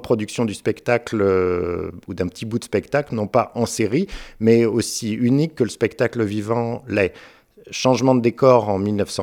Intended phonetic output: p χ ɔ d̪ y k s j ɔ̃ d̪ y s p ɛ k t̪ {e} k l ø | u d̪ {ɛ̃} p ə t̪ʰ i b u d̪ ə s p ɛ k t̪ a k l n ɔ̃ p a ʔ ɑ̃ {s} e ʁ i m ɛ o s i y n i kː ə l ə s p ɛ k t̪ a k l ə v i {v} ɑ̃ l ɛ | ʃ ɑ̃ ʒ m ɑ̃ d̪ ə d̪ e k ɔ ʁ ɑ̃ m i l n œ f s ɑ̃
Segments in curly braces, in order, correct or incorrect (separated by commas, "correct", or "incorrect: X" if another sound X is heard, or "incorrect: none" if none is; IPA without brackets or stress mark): incorrect: a, correct, correct, correct